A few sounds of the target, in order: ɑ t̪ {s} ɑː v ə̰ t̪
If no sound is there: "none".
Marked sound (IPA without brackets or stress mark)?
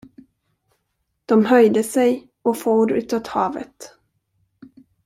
h